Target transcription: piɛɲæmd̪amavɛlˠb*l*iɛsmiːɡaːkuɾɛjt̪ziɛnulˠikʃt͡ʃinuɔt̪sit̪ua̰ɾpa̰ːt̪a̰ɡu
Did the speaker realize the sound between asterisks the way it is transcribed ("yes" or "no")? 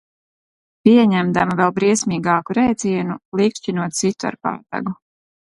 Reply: no